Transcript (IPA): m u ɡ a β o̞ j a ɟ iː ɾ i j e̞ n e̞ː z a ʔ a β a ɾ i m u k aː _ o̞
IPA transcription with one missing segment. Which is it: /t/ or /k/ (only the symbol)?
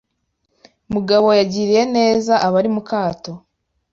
t